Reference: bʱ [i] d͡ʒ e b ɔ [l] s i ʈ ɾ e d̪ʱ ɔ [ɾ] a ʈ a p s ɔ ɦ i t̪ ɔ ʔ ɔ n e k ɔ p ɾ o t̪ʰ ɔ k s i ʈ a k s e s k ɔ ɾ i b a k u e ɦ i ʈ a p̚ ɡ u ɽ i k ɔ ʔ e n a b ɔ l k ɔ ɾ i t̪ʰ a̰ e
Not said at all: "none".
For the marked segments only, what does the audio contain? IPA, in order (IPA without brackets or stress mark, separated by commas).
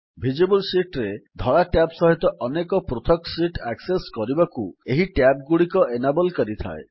i, l, ɭ